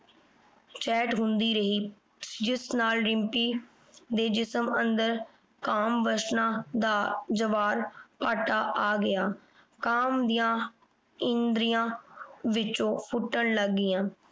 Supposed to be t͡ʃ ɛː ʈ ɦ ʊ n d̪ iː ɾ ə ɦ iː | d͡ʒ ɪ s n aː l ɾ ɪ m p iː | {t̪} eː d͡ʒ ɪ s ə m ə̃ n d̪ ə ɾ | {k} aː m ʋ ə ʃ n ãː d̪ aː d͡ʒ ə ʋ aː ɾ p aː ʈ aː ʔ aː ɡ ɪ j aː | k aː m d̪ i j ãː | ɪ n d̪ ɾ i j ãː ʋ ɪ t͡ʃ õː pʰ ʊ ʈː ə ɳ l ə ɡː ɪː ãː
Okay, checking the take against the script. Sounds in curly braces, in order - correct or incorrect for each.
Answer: incorrect: d̪, correct

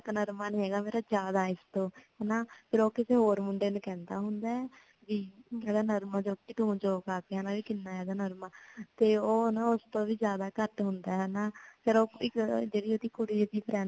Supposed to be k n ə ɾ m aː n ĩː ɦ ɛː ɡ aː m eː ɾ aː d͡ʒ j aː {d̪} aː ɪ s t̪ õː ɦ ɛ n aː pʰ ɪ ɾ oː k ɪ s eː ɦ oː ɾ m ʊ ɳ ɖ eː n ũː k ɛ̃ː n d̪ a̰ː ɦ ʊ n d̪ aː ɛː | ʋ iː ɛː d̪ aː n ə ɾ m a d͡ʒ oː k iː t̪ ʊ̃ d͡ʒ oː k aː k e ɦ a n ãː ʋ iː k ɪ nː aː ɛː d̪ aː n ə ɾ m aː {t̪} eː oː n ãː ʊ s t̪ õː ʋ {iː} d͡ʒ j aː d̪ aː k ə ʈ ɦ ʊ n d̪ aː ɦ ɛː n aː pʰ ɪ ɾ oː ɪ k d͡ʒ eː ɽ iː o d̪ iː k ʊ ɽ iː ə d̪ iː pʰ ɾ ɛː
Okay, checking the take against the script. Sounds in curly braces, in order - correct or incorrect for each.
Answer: correct, correct, correct

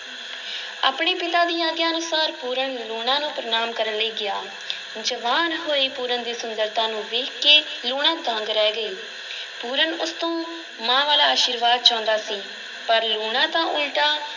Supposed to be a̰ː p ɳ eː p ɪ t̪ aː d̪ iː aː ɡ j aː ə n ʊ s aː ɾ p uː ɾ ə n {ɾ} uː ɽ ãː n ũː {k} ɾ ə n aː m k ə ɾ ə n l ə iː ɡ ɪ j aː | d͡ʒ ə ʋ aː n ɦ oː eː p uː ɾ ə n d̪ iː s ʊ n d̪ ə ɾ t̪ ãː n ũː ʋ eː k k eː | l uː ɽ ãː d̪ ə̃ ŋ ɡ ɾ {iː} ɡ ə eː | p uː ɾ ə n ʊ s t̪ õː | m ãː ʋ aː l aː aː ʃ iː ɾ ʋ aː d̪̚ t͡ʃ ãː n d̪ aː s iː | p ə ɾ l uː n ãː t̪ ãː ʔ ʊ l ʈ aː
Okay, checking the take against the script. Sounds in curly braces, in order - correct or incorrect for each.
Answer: incorrect: l, incorrect: p, incorrect: ɛː

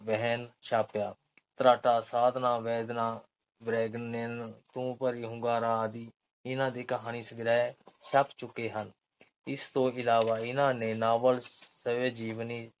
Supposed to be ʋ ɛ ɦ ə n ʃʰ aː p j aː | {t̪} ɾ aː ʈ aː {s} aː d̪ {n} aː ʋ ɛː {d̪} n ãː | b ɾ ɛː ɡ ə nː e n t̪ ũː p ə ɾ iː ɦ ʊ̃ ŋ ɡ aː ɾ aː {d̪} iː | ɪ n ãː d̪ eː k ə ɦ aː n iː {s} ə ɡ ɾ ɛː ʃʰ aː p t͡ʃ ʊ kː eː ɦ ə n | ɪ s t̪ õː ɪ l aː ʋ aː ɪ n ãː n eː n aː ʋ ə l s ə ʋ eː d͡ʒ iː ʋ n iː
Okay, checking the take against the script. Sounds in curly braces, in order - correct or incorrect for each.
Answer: correct, correct, correct, correct, correct, correct

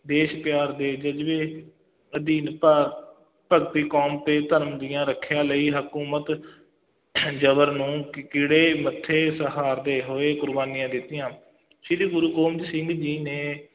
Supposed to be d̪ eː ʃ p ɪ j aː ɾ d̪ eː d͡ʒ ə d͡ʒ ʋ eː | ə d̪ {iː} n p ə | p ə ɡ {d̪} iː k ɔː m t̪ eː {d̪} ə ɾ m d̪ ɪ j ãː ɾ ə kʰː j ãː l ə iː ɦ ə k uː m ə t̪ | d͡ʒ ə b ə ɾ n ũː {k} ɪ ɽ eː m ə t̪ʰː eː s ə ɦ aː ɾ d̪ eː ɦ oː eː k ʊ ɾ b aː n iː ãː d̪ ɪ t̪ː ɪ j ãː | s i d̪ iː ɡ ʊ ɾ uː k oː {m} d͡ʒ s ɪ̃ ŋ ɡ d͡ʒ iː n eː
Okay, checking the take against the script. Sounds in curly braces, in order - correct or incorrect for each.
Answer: correct, incorrect: t̪, incorrect: t̪, correct, correct

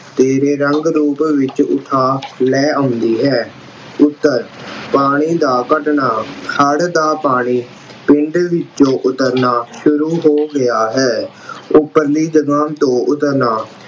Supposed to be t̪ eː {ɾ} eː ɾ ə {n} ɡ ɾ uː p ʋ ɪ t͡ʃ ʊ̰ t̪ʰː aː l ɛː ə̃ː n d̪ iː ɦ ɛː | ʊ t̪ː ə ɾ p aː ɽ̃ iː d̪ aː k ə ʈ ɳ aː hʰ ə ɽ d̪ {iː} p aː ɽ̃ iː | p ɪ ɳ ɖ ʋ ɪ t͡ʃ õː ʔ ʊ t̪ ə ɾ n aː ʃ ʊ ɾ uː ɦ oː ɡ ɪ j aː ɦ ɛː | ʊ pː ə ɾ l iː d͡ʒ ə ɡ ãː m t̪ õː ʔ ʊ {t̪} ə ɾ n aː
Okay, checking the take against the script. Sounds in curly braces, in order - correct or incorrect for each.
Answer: correct, incorrect: ŋ, incorrect: aː, correct

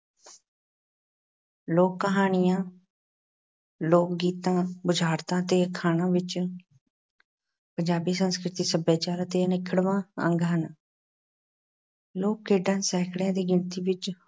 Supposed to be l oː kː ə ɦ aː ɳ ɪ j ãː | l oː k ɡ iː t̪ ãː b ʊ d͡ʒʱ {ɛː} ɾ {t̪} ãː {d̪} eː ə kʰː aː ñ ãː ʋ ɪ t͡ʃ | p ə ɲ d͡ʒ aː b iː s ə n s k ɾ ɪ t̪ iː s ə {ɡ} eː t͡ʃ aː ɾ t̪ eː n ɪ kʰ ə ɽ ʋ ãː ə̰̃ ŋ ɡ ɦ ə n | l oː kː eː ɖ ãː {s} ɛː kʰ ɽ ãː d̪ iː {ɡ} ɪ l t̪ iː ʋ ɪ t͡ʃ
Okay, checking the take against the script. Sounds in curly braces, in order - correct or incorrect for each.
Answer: incorrect: aː, correct, incorrect: t̪, incorrect: b, correct, correct

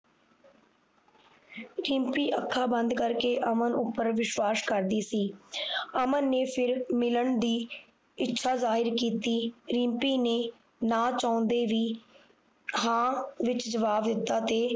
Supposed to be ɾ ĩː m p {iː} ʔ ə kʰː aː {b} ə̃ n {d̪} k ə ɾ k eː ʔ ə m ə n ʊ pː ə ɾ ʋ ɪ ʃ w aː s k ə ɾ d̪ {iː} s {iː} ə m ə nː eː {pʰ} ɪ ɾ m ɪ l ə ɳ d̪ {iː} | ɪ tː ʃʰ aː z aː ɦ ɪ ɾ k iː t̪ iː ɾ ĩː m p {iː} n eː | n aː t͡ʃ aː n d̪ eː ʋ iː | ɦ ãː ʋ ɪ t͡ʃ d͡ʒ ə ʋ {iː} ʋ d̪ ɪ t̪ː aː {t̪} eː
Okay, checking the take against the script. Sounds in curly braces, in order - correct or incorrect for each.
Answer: correct, correct, correct, correct, correct, correct, correct, correct, incorrect: aː, correct

